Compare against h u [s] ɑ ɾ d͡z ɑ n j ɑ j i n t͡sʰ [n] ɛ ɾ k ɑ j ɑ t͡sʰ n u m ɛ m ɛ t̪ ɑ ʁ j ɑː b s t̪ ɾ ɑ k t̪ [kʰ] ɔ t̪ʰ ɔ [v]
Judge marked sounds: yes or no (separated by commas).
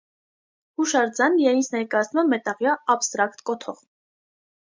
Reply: no, yes, no, no